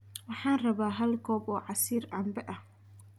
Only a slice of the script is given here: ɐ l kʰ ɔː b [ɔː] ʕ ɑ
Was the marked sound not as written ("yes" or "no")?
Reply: no